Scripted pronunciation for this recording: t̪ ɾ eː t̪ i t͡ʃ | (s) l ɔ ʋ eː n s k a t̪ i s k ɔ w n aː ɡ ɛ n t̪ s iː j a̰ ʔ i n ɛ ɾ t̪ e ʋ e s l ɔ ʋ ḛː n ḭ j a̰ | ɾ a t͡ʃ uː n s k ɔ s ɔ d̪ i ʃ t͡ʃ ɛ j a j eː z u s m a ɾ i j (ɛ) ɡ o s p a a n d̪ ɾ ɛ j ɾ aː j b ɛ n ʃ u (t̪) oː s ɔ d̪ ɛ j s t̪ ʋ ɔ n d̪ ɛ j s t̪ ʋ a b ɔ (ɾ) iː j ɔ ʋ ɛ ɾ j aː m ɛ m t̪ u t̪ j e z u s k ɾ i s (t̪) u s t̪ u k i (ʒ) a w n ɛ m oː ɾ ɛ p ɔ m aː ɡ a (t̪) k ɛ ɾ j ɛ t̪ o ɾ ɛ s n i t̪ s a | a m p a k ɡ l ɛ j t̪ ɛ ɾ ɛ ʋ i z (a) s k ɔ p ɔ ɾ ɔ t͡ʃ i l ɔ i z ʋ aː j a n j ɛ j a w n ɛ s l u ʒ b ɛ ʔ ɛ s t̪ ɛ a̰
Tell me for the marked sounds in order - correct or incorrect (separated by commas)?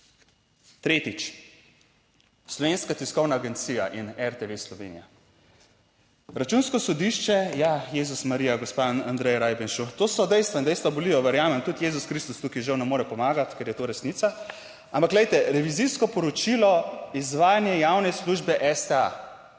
correct, incorrect, correct, incorrect, correct, correct, correct, incorrect